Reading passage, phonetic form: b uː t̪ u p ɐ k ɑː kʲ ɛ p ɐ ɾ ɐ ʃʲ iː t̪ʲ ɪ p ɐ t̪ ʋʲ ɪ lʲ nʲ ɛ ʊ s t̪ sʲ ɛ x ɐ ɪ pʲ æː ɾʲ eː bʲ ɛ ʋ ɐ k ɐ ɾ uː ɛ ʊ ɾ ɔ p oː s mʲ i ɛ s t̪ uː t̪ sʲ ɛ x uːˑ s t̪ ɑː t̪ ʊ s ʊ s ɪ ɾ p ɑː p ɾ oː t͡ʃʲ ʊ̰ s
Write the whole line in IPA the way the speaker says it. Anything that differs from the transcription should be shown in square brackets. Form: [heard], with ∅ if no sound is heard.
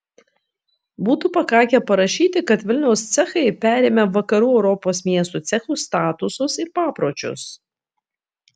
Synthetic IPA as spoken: b uː t̪ u p ɐ k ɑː kʲ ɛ p ɐ ɾ ɐ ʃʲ iː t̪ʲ ɪ [k] ɐ t̪ ʋʲ ɪ lʲ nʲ ɛ ʊ s t̪ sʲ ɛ x ɐ ɪ pʲ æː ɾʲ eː [mʲ] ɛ ʋ ɐ k ɐ ɾ uː ɛ ʊ ɾ ɔ p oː s mʲ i ɛ s t̪ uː t̪ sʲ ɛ x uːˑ s t̪ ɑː t̪ ʊ s ʊ s ɪ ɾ p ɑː p ɾ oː t͡ʃʲ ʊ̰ s